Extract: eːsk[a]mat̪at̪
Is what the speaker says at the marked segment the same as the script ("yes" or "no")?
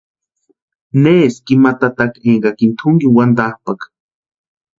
no